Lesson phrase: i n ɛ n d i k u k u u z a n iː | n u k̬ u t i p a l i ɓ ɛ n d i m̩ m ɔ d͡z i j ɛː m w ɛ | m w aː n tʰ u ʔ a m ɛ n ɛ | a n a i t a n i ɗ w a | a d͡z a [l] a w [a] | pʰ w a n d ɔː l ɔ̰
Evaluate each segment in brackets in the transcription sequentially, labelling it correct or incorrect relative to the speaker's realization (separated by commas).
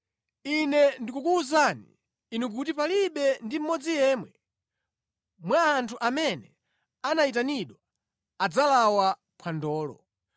correct, correct